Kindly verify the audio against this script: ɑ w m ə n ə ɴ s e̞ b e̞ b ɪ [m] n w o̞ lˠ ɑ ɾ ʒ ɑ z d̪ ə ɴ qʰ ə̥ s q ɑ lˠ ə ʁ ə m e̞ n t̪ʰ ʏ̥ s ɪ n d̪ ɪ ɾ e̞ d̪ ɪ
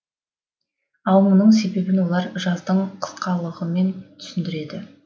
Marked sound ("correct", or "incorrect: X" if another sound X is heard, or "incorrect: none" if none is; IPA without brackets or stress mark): incorrect: none